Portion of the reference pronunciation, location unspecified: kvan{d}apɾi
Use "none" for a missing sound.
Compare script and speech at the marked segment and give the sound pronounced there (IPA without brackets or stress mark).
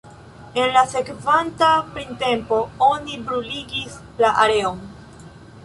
t